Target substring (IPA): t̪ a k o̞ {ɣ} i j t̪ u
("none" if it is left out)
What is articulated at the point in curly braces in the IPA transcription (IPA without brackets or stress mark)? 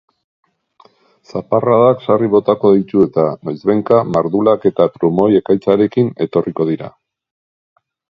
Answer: ð